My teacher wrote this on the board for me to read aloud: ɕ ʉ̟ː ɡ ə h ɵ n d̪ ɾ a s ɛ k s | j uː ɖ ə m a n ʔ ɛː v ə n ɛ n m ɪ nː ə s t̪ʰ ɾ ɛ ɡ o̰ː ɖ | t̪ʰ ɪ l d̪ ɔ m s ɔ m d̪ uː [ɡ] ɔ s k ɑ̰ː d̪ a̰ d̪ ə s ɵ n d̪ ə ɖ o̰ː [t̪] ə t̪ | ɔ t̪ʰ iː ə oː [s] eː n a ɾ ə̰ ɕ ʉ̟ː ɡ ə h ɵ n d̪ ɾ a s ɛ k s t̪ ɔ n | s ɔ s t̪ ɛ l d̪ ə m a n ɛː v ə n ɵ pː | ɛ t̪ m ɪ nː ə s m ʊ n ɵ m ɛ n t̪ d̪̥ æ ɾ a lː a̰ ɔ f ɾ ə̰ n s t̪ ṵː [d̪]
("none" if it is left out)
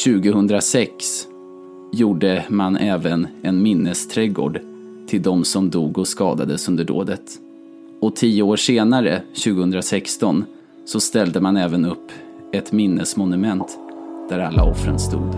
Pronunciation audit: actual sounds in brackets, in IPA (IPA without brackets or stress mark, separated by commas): ɡ, d̪, ʂ, d̪